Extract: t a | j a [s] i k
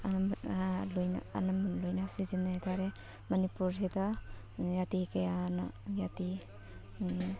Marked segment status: incorrect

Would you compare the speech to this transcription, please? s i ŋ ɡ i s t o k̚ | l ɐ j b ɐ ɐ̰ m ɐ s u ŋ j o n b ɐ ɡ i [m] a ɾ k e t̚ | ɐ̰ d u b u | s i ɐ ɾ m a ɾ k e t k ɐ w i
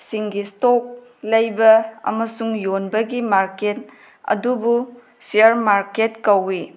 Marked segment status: correct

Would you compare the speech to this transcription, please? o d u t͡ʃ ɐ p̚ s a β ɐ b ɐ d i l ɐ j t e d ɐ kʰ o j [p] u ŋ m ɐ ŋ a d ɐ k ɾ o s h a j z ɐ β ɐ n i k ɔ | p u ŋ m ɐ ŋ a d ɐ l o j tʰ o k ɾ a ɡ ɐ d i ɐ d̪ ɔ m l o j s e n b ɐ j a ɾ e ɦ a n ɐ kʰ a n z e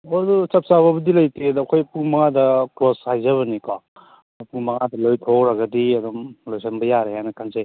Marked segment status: correct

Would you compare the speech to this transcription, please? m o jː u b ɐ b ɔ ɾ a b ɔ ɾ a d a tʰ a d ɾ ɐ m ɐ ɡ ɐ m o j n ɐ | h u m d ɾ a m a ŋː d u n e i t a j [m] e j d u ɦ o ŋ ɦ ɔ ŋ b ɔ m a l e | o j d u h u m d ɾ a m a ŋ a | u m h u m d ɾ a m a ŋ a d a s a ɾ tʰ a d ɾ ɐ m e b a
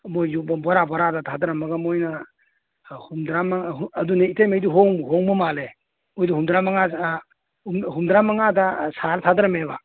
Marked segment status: correct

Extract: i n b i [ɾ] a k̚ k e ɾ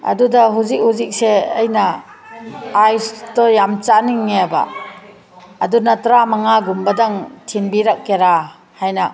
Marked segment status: correct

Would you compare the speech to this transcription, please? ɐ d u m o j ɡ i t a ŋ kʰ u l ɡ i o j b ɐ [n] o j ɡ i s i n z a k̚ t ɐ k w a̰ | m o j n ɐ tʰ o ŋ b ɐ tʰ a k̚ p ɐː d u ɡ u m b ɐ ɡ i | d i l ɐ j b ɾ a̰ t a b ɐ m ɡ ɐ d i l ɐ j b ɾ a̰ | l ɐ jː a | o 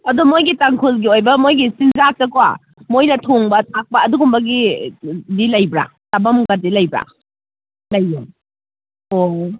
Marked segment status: incorrect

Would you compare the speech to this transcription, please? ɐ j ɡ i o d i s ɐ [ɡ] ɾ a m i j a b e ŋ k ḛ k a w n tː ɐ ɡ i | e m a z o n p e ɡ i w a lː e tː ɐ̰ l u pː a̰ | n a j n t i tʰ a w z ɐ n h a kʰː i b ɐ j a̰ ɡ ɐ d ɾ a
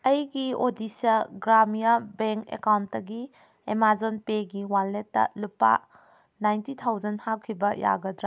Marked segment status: correct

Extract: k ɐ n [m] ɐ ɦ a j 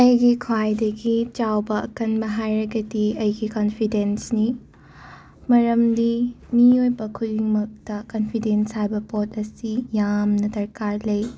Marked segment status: incorrect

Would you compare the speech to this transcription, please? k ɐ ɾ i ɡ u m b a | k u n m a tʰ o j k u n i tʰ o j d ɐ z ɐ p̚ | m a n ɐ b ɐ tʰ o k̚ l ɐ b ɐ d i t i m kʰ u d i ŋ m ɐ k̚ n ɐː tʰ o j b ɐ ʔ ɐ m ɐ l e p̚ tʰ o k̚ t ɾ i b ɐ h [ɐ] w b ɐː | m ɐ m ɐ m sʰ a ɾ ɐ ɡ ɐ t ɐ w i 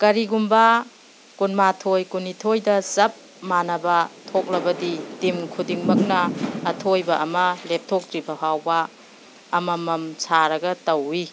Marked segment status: incorrect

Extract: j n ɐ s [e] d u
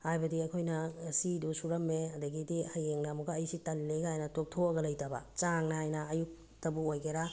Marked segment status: incorrect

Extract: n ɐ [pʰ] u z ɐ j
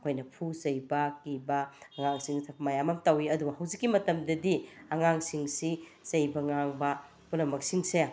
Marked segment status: correct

